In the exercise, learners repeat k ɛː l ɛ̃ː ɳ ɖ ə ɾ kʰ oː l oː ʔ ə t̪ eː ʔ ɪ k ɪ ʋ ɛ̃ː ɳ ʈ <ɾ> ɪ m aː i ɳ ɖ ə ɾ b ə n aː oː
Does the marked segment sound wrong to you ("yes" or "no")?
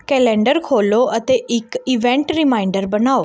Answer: no